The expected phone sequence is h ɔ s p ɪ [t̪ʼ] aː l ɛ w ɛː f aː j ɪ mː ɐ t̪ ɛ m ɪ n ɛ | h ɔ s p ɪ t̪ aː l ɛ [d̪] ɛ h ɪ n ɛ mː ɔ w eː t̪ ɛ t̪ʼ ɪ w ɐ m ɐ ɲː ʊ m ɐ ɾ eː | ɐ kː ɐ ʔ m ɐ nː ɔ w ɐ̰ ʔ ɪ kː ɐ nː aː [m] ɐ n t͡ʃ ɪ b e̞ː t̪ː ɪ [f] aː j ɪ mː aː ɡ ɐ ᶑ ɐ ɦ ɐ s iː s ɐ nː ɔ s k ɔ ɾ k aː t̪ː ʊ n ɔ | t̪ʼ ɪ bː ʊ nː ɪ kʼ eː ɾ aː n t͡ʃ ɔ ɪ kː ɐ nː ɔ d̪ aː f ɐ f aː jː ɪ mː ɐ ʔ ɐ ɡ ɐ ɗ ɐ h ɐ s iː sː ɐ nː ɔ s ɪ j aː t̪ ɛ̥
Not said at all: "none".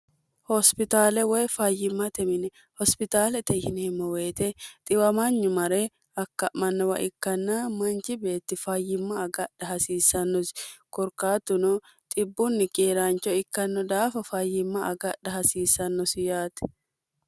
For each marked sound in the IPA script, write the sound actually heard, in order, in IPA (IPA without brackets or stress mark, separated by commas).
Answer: t̪, t̪, m, f